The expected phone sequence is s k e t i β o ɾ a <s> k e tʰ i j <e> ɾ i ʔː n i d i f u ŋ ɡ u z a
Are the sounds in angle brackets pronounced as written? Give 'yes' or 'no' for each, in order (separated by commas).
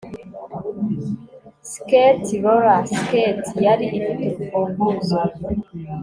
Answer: yes, no